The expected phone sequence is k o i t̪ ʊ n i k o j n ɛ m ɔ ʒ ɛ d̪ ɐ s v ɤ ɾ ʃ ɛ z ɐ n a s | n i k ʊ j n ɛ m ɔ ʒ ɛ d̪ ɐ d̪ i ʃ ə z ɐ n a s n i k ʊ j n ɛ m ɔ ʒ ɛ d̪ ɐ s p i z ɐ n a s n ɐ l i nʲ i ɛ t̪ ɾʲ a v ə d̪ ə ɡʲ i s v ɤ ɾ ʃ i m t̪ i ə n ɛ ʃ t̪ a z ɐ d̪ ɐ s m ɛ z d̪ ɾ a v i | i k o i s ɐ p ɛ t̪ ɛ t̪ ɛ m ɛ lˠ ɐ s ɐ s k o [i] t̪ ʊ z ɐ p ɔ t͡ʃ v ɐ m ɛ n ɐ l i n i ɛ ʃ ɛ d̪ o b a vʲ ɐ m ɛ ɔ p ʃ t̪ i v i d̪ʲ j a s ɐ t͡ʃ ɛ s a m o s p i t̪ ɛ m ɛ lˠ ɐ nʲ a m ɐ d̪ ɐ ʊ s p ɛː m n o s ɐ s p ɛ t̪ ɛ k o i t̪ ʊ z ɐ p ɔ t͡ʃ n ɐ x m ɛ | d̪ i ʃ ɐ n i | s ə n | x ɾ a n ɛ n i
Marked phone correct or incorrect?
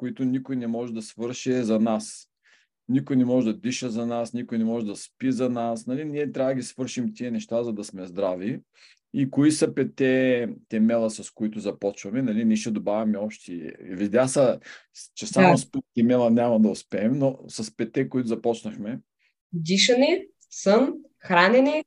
correct